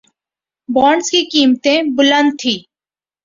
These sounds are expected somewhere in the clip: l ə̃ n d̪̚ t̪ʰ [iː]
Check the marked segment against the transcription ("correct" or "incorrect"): correct